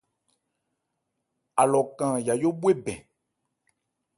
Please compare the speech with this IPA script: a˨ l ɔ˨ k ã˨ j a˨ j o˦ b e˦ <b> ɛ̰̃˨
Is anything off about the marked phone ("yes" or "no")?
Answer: no